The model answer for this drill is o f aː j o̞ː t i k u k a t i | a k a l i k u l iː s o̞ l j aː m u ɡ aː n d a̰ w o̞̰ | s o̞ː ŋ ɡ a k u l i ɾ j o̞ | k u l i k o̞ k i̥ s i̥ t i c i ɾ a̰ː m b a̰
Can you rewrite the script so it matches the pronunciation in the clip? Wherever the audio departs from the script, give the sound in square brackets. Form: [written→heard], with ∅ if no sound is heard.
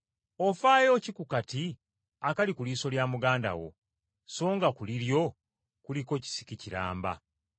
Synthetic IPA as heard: o f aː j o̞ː [t→c] i k u k a t i | a k a l i k u l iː s o̞ l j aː m u ɡ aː n d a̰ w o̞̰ | s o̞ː ŋ ɡ a k u l i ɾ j o̞ | k u l i k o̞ [k→c] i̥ s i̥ [t→k] i c i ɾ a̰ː m b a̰